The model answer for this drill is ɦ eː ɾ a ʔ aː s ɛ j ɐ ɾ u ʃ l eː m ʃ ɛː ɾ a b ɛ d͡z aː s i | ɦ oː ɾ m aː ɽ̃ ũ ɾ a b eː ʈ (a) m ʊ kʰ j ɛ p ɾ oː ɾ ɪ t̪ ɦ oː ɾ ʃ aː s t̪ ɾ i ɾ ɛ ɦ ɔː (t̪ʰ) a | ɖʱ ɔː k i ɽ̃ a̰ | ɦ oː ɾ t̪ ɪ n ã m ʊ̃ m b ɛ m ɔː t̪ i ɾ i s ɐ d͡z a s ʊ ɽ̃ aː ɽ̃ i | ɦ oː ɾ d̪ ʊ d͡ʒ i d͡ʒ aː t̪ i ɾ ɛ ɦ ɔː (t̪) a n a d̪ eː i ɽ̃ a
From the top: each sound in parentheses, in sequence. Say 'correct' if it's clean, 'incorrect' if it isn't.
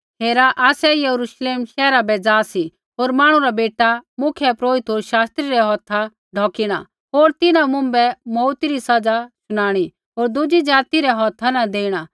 correct, correct, incorrect

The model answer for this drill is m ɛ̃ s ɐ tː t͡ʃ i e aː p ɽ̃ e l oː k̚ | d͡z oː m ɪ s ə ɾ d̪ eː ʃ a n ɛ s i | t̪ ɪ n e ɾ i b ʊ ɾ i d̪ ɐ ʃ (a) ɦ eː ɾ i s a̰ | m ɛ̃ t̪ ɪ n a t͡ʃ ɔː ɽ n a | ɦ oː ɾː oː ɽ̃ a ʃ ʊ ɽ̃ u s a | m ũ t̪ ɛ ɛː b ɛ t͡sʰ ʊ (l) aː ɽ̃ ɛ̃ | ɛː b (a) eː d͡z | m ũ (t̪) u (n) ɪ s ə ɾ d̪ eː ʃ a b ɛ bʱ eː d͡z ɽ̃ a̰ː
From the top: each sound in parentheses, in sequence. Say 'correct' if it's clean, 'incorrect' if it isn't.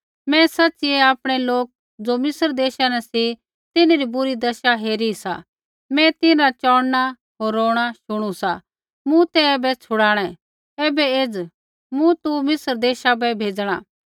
correct, incorrect, incorrect, correct, incorrect

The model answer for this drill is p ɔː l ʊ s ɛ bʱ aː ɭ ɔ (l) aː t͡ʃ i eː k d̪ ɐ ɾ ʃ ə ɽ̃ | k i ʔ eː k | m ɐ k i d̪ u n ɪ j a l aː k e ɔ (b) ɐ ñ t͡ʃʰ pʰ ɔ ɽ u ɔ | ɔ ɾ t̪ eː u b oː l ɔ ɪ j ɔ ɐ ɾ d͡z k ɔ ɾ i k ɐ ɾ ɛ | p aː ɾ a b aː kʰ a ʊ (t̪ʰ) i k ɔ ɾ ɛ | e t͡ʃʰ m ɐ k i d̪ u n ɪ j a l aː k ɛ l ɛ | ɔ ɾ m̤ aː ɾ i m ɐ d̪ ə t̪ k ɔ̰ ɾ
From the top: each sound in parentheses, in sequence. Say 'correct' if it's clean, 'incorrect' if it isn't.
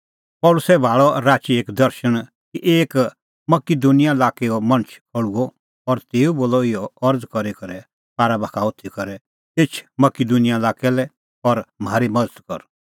incorrect, incorrect, correct

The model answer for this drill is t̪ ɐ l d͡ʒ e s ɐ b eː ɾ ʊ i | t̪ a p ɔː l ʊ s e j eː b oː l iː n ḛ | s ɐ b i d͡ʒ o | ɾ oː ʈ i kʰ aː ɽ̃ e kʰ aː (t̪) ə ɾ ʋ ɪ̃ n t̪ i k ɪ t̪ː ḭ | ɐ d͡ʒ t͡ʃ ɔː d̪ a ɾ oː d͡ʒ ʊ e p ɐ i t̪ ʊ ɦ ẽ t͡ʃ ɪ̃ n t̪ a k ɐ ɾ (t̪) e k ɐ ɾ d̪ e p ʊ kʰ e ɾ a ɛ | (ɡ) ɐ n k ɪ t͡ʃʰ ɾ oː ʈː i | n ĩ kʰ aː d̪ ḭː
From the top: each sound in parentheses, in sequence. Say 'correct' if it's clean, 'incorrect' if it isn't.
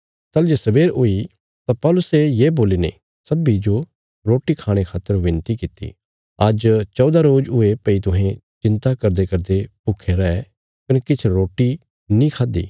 correct, incorrect, incorrect

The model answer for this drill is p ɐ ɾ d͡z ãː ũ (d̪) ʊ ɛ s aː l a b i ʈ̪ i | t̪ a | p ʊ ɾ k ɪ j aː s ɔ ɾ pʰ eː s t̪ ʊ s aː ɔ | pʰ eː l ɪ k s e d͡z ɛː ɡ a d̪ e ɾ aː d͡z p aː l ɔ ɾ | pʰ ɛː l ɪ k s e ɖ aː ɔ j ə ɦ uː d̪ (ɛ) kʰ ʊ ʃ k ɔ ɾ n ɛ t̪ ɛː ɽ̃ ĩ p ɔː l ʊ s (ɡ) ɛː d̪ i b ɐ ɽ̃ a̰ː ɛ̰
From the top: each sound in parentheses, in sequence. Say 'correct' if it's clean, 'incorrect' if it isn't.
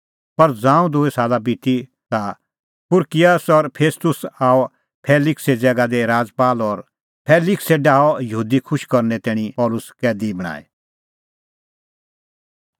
correct, incorrect, incorrect

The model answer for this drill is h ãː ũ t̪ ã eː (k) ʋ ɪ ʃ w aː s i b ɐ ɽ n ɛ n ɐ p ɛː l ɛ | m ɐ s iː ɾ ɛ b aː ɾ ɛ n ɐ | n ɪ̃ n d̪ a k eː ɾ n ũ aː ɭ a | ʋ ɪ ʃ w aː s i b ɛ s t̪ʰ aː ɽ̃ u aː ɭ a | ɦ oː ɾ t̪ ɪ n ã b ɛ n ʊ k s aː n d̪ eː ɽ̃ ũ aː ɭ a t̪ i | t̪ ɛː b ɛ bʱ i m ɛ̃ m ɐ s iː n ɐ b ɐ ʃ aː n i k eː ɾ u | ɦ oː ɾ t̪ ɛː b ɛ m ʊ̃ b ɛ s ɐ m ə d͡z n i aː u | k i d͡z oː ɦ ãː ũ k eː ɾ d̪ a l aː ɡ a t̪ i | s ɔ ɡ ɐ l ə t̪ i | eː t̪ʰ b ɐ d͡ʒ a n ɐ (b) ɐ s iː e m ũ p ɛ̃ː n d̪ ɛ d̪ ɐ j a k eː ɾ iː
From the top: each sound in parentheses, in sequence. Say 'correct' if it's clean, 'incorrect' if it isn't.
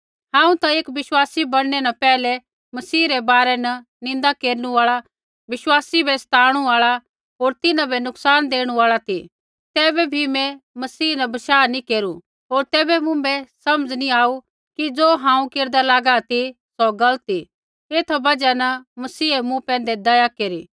correct, incorrect

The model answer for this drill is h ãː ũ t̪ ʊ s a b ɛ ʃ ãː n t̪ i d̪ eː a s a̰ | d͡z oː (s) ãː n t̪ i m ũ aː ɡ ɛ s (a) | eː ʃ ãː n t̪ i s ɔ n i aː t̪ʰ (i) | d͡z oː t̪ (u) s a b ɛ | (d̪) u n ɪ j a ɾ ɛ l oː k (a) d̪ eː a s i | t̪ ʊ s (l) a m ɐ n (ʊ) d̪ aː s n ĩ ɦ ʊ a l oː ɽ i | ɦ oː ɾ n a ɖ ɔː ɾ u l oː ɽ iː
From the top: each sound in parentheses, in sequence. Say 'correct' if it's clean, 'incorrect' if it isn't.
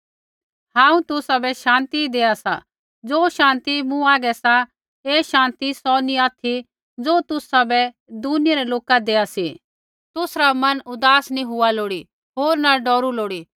incorrect, correct, correct, incorrect, correct, correct, incorrect, correct

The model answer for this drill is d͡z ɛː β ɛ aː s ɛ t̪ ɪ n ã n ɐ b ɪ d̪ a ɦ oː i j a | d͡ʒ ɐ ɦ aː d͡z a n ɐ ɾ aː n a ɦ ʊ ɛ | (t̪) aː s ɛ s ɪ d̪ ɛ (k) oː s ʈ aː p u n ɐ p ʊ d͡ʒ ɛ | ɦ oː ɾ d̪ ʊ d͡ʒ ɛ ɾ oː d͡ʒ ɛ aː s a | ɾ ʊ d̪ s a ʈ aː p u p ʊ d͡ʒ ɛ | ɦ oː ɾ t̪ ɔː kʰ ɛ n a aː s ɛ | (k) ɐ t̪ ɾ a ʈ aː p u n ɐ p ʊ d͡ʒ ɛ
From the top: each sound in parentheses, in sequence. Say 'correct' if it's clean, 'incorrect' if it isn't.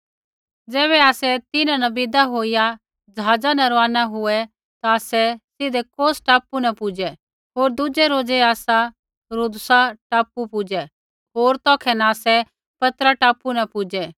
correct, correct, incorrect

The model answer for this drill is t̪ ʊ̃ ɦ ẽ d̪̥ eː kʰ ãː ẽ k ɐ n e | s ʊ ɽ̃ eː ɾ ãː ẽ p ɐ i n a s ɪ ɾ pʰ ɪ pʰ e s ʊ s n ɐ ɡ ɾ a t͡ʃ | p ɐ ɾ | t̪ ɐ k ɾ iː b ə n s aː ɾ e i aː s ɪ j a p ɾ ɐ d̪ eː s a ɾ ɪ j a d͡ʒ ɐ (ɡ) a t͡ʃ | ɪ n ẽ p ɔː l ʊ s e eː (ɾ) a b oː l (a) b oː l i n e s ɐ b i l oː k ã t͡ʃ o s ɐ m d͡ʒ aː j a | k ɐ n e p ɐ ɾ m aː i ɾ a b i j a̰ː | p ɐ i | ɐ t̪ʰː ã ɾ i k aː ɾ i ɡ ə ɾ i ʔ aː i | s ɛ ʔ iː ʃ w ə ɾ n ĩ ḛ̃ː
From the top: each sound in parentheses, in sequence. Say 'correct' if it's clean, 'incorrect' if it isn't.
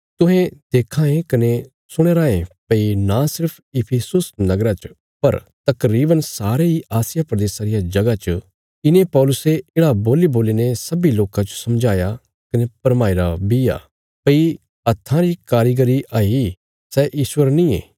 correct, incorrect, incorrect

